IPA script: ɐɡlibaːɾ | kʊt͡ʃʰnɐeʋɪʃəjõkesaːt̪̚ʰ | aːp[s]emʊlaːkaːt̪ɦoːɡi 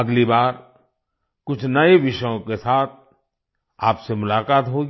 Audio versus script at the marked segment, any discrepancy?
no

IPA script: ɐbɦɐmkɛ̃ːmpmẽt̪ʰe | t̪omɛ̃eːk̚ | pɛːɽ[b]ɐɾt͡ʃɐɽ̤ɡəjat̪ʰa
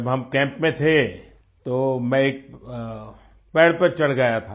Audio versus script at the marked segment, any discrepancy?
yes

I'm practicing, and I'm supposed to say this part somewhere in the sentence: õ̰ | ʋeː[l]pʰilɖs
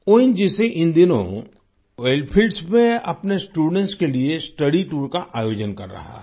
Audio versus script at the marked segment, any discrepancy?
no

